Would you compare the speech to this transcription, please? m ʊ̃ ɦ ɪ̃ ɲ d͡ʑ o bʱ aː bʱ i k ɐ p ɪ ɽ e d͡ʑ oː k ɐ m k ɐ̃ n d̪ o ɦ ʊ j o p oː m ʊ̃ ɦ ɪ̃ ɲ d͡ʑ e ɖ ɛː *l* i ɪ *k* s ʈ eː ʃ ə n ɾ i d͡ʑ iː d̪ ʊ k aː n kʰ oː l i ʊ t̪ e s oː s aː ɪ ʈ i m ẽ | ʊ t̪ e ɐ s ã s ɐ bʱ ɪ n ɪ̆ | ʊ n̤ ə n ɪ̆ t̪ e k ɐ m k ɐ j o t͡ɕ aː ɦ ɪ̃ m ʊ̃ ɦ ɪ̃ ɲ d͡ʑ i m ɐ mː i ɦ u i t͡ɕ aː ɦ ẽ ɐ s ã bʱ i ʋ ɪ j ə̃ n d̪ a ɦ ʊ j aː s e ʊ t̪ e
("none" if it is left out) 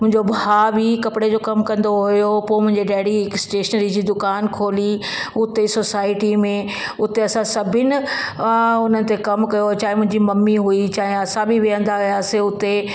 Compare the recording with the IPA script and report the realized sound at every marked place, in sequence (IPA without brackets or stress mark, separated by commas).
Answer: ɽ, k